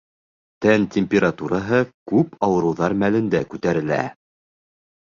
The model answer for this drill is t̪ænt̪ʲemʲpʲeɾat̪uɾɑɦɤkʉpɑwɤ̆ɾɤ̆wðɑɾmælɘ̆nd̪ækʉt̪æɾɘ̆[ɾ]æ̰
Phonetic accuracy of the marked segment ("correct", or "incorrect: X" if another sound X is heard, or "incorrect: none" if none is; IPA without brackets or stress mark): incorrect: l